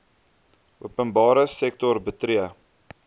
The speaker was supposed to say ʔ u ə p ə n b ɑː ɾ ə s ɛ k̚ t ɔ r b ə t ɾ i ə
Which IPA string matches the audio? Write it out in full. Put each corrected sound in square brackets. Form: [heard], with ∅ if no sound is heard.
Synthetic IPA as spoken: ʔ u ə p ə n b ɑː ɾ ə s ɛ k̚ t ɔ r b ə t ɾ i ə